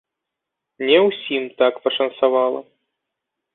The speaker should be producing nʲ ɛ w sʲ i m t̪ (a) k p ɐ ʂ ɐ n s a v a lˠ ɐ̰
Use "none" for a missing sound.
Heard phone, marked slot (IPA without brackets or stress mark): a